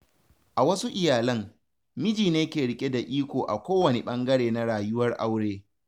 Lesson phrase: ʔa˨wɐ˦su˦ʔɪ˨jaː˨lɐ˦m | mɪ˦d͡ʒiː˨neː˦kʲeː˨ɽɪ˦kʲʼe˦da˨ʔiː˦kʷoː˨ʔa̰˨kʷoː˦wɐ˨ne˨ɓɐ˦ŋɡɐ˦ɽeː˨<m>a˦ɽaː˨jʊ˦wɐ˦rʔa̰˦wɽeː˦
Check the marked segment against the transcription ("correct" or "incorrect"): incorrect